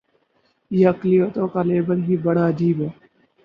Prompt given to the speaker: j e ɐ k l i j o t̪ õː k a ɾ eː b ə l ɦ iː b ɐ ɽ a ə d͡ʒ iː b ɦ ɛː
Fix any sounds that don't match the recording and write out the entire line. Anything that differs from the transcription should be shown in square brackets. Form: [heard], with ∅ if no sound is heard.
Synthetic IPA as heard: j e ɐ k l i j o t̪ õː k a [l] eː b ə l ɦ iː b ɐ ɽ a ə d͡ʒ iː b ɦ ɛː